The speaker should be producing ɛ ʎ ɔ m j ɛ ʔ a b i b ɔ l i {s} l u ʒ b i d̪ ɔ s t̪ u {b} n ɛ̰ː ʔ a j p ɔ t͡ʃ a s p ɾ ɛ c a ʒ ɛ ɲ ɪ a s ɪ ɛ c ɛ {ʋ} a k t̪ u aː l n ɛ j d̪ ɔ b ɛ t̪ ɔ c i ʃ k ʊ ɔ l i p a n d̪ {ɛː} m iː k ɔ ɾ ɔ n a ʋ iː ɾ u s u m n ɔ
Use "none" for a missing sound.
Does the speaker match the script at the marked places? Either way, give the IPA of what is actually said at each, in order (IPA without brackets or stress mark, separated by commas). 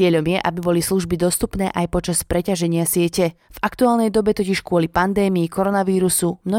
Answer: s, p, v, ɛː